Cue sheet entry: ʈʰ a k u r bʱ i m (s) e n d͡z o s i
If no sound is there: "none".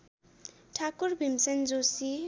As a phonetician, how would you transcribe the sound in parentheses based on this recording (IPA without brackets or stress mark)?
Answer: s